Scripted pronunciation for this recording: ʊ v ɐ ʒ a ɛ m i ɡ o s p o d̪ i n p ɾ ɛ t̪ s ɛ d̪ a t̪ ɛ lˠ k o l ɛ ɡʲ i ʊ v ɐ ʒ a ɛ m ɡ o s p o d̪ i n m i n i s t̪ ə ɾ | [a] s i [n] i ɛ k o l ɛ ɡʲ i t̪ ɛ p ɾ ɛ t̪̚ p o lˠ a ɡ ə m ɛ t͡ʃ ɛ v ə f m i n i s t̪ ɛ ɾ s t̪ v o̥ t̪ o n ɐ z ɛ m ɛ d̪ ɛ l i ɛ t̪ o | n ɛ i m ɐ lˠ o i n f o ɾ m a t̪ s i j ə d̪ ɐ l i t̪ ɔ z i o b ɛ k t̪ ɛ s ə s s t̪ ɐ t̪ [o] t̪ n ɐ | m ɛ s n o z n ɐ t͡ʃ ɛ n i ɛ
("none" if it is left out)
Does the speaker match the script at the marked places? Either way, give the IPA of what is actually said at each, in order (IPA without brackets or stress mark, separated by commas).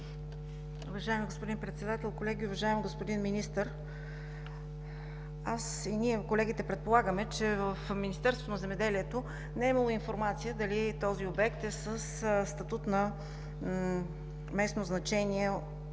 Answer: a, n, u